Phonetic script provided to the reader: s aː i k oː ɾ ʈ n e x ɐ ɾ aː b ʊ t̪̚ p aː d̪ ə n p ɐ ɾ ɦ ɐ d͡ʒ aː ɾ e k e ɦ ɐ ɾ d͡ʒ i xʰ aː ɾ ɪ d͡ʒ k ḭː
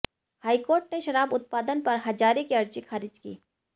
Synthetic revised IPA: h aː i k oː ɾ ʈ n e ʃ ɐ ɾ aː b ʊ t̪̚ p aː d̪ ə n p ɐ ɾ ɦ ɐ d͡ʒ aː ɾ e k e ɐ ɾ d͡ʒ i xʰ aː ɾ ɪ d͡ʒ k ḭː